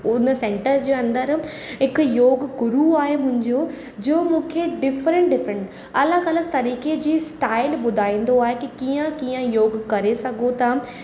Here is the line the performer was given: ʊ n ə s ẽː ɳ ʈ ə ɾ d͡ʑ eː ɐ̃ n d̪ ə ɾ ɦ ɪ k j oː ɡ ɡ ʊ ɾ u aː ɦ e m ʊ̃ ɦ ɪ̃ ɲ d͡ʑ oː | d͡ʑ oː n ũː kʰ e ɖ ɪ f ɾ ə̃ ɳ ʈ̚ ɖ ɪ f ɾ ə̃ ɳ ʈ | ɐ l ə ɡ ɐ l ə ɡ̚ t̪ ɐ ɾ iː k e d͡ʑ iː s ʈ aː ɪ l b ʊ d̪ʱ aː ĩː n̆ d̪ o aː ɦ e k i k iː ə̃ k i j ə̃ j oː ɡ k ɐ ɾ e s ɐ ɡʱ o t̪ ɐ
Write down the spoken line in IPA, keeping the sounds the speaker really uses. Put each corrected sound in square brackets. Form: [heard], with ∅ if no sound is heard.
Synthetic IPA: ʊ n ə s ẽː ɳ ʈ ə ɾ d͡ʑ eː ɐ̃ n d̪ ə ɾ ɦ ɪ k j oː ɡ ɡ ʊ ɾ u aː ɦ e m ʊ̃ ɦ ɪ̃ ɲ d͡ʑ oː | d͡ʑ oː [m] ũː kʰ e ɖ ɪ f ɾ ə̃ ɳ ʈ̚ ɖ ɪ f ɾ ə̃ ɳ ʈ | ɐ l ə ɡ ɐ l ə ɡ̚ t̪ ɐ ɾ iː k e d͡ʑ iː s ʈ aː ɪ l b ʊ d̪ʱ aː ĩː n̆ d̪ o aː ɦ e k i k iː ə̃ k i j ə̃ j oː ɡ k ɐ ɾ e s ɐ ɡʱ o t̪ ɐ